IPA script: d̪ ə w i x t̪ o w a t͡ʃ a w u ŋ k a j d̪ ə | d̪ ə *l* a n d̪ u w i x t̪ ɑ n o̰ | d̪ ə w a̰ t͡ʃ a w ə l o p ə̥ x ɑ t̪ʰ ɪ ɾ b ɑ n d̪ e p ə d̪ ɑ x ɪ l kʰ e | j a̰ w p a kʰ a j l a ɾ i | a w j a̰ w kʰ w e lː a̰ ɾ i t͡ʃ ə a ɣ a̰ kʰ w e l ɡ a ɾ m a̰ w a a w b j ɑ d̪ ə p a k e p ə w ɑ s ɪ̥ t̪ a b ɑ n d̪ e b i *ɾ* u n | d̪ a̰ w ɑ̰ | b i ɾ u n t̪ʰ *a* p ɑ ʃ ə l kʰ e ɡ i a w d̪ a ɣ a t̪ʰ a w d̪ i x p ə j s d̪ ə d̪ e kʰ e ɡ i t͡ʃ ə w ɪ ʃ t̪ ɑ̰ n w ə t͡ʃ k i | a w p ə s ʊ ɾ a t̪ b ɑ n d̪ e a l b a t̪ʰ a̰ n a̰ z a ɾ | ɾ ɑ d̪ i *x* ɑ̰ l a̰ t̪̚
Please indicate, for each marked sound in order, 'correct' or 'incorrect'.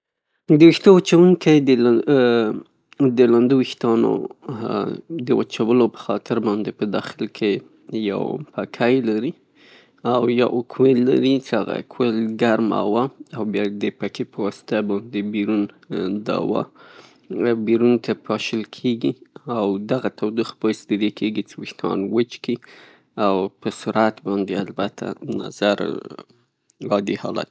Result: correct, correct, correct, incorrect: h

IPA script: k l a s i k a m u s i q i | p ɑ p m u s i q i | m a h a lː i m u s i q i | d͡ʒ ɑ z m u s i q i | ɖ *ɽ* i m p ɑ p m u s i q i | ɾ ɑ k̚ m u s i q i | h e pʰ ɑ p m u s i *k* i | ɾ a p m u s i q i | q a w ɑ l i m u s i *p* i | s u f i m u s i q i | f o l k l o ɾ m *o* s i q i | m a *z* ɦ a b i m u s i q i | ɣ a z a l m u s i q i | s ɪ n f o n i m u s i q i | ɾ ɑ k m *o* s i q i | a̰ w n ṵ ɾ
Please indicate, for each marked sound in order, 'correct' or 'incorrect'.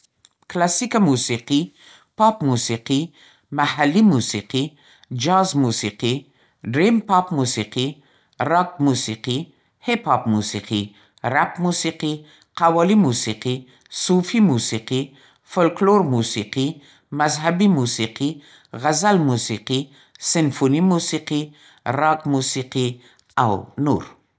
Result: incorrect: ɾ, incorrect: q, incorrect: q, incorrect: u, correct, incorrect: u

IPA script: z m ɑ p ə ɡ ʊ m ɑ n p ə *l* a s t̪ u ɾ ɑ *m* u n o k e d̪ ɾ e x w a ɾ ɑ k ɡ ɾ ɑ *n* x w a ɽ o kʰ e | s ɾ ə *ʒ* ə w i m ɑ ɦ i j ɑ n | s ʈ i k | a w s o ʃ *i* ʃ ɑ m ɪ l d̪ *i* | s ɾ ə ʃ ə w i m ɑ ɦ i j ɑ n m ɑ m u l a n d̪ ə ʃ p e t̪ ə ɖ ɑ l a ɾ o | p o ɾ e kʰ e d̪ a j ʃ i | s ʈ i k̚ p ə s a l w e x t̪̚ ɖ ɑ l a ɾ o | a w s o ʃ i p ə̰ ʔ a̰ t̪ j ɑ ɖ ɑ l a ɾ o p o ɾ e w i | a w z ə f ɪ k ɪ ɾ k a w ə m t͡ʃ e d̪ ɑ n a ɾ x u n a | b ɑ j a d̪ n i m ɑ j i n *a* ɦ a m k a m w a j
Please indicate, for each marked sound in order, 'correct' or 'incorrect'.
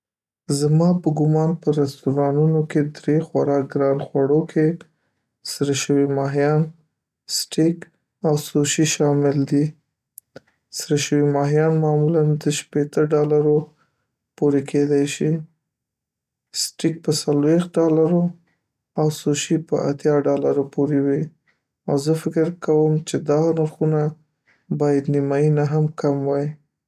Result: incorrect: ɾ, incorrect: n, correct, incorrect: ʃ, correct, correct, correct

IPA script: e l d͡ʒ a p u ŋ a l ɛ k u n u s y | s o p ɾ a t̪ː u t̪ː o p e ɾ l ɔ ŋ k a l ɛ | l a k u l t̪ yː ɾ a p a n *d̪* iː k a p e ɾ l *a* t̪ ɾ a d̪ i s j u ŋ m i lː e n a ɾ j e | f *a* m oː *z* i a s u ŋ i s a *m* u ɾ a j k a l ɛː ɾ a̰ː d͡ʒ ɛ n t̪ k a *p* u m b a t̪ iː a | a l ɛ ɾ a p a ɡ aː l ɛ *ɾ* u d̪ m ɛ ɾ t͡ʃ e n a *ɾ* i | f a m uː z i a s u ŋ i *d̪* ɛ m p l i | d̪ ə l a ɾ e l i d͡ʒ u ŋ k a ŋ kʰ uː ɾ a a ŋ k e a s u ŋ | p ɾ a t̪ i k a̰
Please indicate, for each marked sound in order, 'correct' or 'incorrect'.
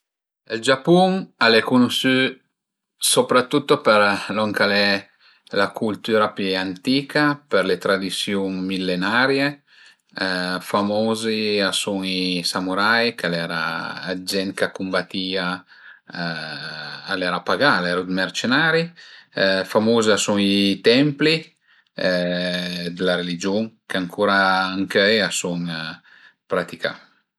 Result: incorrect: t̪, incorrect: e, correct, correct, correct, incorrect: k, correct, correct, incorrect: t̪

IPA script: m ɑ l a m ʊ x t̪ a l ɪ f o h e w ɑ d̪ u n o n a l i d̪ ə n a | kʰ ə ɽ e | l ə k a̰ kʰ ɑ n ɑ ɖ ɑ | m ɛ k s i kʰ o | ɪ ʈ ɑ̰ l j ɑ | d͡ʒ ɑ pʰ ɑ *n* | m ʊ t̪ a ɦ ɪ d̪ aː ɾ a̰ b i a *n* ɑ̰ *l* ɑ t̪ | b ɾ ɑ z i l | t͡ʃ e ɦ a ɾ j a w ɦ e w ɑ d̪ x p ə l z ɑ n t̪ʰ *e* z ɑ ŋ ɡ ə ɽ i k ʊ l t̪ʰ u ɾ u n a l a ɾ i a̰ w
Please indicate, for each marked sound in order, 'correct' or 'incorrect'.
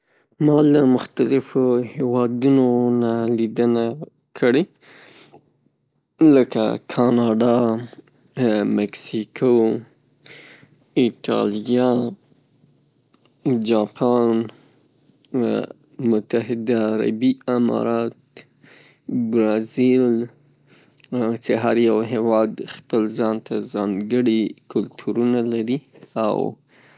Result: correct, incorrect: m, incorrect: ɾ, incorrect: a

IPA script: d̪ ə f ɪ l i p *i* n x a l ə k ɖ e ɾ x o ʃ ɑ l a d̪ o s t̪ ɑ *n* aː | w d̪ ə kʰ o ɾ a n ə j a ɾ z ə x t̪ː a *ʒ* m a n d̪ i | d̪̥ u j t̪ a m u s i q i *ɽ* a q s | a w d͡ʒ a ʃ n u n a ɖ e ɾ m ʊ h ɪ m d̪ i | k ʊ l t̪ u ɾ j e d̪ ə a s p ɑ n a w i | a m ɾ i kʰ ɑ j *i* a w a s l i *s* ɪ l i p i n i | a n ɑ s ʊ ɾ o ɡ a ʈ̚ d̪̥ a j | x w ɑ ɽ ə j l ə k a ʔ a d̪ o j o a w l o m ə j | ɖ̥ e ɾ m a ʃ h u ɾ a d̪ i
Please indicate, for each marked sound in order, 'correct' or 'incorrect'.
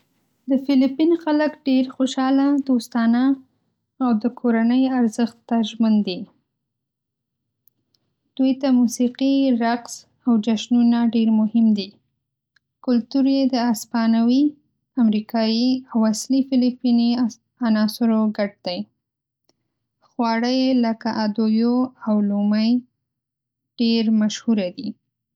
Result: correct, correct, correct, incorrect: ɾ, correct, incorrect: f

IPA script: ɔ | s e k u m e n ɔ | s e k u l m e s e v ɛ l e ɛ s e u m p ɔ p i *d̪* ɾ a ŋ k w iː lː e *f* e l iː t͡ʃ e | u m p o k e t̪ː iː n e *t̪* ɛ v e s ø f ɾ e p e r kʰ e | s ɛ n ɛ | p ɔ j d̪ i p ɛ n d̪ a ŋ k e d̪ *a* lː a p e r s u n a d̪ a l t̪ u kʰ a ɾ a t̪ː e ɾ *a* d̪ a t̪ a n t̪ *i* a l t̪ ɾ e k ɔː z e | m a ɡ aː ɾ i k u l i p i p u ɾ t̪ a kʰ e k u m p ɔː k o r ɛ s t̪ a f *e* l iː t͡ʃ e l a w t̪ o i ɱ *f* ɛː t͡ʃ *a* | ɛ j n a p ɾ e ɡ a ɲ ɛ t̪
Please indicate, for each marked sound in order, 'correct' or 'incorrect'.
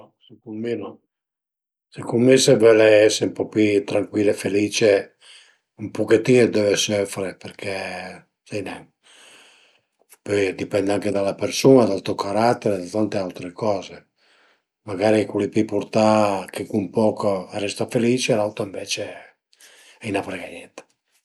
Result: incorrect: t̪, correct, incorrect: d̪, correct, incorrect: e, incorrect: e, correct, incorrect: v, incorrect: e

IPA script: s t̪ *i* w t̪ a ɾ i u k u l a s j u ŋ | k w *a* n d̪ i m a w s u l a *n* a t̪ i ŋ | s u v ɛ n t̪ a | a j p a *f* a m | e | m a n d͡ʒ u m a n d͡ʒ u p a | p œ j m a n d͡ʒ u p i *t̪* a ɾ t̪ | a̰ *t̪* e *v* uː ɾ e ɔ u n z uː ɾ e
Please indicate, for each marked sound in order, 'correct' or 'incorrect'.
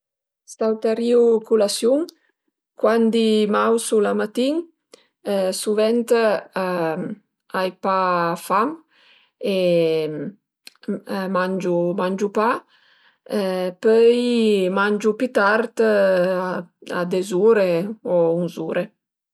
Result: incorrect: a, correct, incorrect: m, correct, correct, incorrect: d̪, incorrect: z

